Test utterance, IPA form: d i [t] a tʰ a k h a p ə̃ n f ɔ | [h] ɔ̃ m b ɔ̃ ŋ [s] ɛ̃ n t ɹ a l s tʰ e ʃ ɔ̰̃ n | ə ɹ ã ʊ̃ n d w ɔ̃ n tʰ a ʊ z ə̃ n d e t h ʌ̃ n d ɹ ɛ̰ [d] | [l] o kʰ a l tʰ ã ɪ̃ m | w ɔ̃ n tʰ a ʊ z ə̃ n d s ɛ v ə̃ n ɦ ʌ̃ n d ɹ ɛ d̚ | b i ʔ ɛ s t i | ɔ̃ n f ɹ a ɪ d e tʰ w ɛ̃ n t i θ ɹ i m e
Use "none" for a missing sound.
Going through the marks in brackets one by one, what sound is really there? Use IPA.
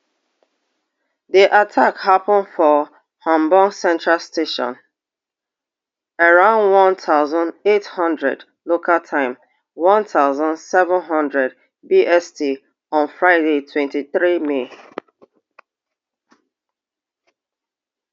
ʔ, h, s, d, l

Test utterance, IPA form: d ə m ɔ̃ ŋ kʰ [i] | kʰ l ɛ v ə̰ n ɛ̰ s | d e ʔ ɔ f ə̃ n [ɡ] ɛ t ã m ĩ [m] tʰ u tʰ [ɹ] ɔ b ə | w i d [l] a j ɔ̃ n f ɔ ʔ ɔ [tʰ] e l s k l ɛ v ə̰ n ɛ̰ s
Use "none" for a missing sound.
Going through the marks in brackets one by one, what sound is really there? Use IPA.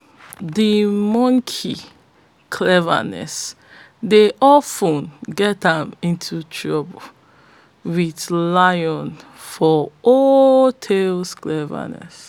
i, ɡ, n, ɹ, l, tʰ

